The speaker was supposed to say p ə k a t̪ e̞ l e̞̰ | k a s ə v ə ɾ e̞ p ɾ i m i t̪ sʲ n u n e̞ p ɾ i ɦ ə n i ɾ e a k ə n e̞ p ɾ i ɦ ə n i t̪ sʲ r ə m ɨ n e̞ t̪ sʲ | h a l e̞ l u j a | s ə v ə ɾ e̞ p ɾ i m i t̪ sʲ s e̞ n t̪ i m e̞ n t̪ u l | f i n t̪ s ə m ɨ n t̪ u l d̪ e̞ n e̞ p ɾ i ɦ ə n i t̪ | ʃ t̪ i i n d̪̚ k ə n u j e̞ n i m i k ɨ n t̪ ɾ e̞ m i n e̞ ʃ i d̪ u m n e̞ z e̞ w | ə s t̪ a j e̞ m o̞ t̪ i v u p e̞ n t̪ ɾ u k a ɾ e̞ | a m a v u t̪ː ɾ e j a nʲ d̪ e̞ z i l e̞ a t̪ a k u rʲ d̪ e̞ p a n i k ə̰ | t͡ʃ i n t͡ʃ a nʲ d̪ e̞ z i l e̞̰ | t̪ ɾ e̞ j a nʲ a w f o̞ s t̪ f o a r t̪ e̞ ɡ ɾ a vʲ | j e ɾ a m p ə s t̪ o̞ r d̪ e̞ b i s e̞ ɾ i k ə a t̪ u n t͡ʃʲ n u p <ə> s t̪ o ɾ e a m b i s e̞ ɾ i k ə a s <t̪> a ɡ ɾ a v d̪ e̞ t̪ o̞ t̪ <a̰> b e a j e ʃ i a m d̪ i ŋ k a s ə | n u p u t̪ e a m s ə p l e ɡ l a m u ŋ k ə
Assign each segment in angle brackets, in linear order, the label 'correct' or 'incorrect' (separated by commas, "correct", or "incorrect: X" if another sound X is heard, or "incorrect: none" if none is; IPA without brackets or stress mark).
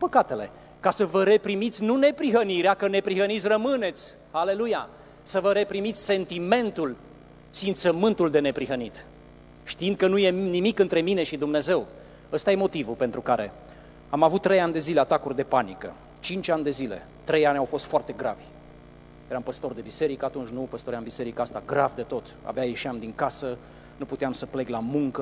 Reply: correct, correct, correct